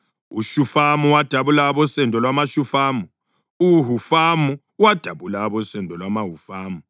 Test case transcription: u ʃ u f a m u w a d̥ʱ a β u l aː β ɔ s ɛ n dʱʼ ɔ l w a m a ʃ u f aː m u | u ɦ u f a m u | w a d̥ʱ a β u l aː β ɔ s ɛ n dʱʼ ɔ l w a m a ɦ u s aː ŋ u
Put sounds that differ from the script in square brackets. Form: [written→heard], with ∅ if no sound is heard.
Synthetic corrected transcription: u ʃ u f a m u w a d̥ʱ a β u l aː β ɔ s ɛ n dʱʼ ɔ l w a m a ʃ u f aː m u | u ɦ u f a m u | w a d̥ʱ a β u l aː β ɔ s ɛ n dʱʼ ɔ l w a m a ɦ u [s→f] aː [ŋ→m] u